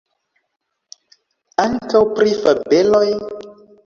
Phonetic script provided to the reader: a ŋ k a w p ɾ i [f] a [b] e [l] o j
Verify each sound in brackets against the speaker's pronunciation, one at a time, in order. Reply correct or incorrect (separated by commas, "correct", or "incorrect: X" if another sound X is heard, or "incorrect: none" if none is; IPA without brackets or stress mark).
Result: correct, correct, correct